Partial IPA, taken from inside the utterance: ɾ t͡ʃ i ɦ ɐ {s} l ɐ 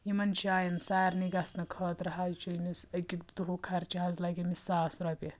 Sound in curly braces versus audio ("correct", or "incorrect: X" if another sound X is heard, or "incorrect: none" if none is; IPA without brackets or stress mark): incorrect: z